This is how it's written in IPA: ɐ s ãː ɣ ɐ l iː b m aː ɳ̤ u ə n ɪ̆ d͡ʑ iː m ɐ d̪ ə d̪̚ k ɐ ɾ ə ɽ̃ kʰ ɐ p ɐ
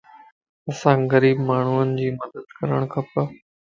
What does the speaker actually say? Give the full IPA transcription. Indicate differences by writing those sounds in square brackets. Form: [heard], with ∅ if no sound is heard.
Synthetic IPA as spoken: ɐ s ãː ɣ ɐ [ɾ] iː b m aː ɳ̤ u ə n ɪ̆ d͡ʑ iː m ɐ d̪ ə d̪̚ k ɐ ɾ ə ɽ̃ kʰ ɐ p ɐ